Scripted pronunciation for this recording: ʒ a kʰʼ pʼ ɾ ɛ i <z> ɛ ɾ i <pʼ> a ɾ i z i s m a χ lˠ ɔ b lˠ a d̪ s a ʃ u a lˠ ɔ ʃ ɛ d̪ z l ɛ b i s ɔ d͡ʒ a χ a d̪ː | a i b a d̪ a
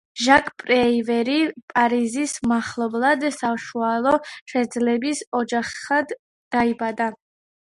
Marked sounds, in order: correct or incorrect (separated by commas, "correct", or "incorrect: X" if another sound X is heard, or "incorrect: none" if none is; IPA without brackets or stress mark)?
incorrect: v, correct